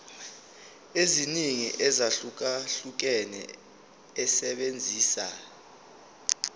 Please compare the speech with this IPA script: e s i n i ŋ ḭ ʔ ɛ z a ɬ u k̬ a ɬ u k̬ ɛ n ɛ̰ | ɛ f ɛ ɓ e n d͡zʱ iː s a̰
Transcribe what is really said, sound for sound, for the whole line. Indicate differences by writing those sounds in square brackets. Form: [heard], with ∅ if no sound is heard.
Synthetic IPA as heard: e [z] i n i ŋ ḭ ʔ ɛ z a ɬ u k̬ a ɬ u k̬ ɛ n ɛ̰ | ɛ [s] ɛ ɓ e n d͡zʱ iː s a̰